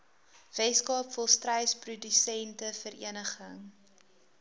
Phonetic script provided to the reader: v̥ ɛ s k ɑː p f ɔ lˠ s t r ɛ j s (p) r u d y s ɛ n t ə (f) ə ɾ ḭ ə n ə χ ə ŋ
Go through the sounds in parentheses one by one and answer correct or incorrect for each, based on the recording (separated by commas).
correct, correct